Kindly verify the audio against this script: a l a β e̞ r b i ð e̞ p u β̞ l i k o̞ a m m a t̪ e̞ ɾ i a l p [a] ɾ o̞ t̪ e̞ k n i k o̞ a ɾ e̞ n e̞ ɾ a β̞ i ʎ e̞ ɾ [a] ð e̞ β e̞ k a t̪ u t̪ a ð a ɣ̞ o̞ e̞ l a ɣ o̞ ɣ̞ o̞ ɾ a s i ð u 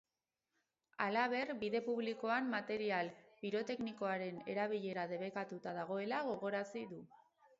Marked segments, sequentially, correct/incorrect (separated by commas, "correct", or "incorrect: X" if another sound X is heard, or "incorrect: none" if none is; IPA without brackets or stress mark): incorrect: i, correct